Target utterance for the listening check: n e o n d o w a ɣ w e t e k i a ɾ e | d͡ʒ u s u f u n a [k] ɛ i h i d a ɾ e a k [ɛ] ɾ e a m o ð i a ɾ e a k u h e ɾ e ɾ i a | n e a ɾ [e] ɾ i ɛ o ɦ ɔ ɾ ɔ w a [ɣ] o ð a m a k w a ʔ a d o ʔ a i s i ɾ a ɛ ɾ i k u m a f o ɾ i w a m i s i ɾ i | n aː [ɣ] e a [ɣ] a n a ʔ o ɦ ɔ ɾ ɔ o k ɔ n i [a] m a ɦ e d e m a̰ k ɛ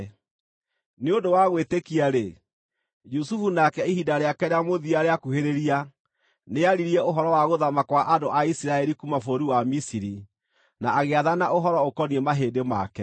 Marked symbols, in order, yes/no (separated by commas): yes, yes, no, yes, yes, no, no